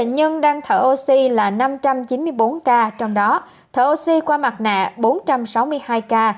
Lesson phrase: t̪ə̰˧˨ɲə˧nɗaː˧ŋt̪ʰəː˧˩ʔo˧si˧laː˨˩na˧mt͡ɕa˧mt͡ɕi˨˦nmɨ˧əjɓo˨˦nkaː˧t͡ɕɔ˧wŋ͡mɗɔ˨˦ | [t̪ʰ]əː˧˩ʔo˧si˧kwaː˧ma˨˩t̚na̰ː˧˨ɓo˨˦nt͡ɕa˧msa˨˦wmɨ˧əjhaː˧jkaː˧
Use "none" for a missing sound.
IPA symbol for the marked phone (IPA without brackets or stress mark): t̪ʰ